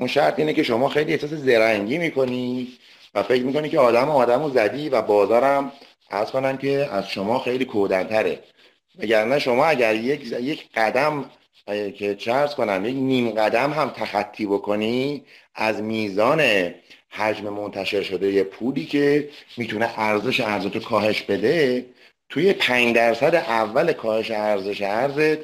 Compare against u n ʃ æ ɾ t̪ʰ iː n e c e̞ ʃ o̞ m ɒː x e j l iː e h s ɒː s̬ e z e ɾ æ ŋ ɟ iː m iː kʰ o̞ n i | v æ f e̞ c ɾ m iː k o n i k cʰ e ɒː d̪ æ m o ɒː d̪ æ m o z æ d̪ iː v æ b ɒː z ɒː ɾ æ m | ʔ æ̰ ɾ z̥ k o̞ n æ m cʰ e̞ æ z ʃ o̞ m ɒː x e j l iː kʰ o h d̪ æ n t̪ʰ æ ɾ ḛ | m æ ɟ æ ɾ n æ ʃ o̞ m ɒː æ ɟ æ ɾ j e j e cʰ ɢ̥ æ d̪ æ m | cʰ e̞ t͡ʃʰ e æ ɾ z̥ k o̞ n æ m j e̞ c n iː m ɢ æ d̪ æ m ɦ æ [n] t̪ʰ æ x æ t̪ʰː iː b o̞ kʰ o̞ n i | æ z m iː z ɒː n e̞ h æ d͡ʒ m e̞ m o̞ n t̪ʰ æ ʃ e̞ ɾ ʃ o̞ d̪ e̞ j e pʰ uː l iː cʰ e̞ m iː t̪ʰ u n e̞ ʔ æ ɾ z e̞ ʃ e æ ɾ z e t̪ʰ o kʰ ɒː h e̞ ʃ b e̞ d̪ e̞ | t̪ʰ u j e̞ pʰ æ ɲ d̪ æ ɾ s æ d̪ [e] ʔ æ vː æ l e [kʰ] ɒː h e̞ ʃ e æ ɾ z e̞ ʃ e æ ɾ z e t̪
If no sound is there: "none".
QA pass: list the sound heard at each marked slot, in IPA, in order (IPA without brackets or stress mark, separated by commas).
m, e, kʰ